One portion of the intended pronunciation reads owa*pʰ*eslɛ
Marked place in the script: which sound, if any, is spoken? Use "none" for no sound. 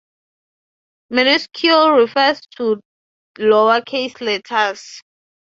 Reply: kʰ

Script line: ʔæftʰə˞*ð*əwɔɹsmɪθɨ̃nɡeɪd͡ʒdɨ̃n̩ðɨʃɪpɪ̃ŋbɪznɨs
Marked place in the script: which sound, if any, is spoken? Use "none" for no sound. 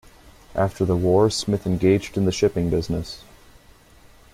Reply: ð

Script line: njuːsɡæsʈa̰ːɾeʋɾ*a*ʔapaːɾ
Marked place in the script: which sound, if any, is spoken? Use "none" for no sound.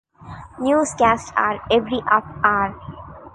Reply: i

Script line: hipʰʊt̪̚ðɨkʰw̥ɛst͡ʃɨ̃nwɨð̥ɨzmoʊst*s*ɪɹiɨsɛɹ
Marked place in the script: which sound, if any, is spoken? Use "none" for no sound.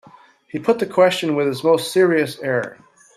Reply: s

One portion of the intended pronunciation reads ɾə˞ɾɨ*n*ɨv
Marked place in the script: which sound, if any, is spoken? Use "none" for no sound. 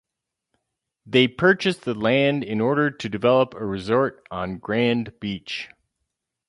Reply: d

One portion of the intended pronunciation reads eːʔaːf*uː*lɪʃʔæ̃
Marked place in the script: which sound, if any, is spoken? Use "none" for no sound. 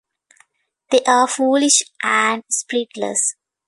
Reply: uː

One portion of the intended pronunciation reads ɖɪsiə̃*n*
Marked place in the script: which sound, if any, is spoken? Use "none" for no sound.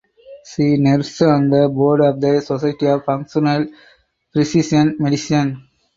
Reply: n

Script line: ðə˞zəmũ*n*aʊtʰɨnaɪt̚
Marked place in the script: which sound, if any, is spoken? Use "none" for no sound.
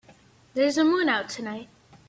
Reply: n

